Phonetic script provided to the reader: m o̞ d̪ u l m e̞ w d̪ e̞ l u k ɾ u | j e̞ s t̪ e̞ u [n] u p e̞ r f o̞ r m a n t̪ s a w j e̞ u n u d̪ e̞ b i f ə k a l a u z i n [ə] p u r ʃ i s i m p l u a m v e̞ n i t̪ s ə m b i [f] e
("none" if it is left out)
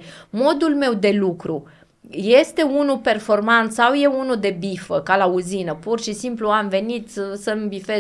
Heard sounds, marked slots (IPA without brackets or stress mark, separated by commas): n, ə, f